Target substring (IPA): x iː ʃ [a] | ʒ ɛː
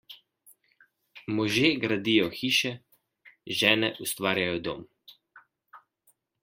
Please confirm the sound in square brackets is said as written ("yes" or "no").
no